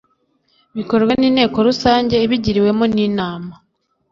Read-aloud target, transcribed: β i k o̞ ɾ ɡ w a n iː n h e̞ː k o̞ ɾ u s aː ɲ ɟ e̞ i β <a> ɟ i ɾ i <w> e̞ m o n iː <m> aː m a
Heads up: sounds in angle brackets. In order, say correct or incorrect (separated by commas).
incorrect, correct, incorrect